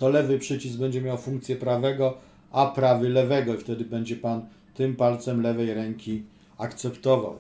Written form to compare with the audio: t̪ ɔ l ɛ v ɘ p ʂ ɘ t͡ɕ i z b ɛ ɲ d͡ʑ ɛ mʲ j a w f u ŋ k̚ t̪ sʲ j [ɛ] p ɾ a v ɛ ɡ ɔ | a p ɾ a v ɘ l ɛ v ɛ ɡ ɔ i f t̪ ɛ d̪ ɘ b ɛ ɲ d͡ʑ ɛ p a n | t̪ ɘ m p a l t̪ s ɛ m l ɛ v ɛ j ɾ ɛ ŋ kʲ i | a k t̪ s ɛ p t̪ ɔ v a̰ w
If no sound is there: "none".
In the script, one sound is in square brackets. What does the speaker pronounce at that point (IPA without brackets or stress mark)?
ɛ